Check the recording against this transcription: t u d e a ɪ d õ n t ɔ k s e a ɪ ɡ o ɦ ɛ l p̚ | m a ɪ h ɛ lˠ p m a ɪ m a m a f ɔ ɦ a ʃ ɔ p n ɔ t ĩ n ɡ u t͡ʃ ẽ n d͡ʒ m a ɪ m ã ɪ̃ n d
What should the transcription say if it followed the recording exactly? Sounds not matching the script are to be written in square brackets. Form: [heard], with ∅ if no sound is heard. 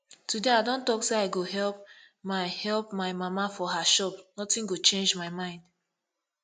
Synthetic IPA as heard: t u d e a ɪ d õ n t ɔ k s e a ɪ ɡ o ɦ ɛ l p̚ | m a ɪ h ɛ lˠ p m a ɪ m a m a f ɔ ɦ a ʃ ɔ p n ɔ t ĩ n ɡ [o] t͡ʃ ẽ n d͡ʒ m a ɪ m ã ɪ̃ n d